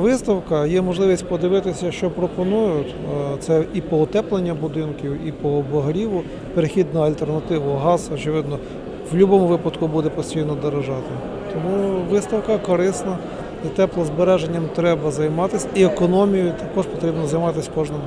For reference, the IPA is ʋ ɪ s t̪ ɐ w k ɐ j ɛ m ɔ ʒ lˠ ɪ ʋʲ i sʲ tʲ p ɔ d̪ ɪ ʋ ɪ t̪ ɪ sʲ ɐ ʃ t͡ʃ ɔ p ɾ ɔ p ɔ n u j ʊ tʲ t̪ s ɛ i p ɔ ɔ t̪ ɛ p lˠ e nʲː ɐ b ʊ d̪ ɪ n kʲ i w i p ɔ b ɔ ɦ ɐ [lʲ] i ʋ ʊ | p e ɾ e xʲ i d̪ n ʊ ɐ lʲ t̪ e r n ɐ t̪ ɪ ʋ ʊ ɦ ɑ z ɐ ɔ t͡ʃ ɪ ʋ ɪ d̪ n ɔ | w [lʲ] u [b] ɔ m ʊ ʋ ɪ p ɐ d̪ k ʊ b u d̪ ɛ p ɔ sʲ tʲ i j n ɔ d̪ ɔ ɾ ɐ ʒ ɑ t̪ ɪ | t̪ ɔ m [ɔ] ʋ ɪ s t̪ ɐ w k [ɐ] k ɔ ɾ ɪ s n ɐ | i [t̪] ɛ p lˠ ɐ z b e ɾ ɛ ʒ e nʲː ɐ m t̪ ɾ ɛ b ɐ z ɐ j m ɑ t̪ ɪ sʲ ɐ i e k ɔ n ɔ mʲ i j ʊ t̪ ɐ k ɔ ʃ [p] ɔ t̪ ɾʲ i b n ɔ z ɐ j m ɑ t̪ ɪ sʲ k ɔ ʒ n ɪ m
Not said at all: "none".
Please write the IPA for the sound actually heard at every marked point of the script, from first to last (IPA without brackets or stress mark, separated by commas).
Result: ɾʲ, lʲ, b, u, ɐ, t̪, p